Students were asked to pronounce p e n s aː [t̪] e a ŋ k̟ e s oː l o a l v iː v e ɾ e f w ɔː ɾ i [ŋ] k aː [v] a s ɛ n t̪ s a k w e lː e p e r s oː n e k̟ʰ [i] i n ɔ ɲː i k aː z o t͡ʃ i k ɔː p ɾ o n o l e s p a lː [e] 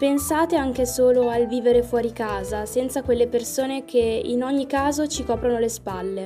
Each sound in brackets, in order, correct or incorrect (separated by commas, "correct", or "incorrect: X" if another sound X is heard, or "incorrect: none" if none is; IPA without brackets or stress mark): correct, incorrect: none, incorrect: z, incorrect: e, correct